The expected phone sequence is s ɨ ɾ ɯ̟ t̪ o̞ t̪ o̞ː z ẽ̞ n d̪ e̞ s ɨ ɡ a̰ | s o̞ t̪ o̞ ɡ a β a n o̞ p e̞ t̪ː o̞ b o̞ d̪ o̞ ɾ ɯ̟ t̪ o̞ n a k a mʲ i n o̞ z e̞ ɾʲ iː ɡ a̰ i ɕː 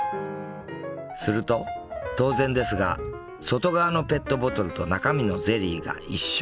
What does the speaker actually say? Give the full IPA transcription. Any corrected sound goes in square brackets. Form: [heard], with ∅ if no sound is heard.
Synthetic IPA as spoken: s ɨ ɾ ɯ̟ t̪ o̞ t̪ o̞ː z ẽ̞ n d̪ e̞ s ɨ ɡ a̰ | s o̞ t̪ o̞ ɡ a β a n o̞ p e̞ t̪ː o̞ b o̞ [t̪] o̞ ɾ ɯ̟ t̪ o̞ n a k a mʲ i n o̞ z e̞ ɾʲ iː ɡ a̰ i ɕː